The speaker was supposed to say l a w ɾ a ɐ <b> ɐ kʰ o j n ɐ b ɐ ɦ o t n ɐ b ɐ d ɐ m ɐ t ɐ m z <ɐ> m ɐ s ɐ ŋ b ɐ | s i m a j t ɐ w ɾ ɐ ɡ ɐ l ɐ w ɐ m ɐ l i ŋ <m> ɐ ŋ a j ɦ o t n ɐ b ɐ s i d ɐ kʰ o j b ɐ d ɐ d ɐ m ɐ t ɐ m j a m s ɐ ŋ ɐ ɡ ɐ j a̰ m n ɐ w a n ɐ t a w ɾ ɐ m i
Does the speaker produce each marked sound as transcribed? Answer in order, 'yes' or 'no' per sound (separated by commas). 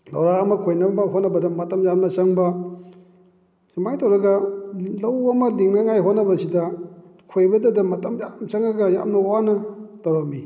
no, no, no